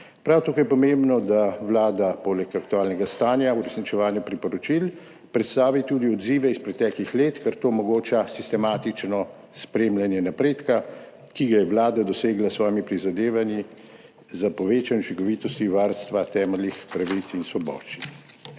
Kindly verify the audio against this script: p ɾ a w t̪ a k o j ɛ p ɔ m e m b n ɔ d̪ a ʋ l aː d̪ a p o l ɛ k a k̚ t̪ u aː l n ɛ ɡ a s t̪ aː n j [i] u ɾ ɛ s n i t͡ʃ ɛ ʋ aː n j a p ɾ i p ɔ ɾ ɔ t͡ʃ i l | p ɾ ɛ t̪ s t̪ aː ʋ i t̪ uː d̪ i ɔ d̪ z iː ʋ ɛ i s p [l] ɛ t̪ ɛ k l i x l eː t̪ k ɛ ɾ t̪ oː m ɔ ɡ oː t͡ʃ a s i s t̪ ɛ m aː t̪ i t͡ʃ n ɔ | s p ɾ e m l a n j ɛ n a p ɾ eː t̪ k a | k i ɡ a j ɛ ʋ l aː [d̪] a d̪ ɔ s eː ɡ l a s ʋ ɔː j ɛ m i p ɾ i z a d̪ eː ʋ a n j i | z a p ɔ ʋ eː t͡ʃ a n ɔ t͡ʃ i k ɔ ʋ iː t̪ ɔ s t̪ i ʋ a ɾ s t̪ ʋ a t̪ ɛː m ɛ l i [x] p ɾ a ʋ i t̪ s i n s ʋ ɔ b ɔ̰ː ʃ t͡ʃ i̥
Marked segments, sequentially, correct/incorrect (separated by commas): incorrect, incorrect, correct, correct